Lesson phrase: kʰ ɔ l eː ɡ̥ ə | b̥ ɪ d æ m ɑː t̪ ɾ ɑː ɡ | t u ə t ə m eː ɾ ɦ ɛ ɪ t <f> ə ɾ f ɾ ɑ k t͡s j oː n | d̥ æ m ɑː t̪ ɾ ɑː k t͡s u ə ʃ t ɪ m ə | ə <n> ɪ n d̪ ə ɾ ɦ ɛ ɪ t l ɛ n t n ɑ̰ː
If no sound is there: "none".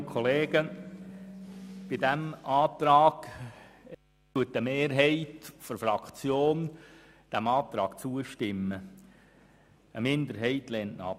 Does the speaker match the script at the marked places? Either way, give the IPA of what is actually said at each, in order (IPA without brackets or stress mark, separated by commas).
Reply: f, m